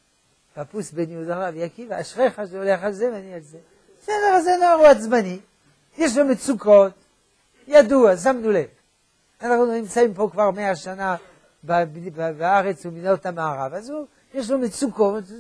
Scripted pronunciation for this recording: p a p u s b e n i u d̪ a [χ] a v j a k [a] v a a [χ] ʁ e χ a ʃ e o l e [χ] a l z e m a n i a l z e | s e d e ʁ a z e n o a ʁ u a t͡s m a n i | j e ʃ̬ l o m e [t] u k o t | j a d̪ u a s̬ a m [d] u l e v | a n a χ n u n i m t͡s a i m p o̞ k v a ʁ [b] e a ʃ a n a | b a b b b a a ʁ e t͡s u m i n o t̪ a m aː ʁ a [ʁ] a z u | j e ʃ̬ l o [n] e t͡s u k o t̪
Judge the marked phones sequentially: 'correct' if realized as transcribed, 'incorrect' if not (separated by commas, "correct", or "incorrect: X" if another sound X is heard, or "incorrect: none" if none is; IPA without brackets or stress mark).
incorrect: ʁ, incorrect: i, incorrect: ʃ, correct, incorrect: t͡s, incorrect: n, incorrect: m, incorrect: v, incorrect: m